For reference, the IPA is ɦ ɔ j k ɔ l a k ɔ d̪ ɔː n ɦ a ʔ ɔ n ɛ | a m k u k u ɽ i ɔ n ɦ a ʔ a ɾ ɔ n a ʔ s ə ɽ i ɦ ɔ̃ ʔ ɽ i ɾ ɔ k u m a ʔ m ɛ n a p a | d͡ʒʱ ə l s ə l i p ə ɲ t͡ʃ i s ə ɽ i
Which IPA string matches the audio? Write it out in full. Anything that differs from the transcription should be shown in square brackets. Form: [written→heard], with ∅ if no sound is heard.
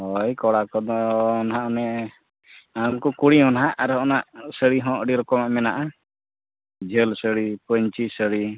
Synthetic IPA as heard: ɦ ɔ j k ɔ [l→ɽ] a k ɔ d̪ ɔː n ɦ a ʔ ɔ n ɛ | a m k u k u ɽ i ɔ n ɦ a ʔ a ɾ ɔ n a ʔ s ə ɽ i ɦ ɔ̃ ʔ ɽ i ɾ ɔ k [u→ɔ] m a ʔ m ɛ n a [p→ʔ] a | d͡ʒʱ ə l s ə [l→ɽ] i p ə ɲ t͡ʃ i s ə ɽ i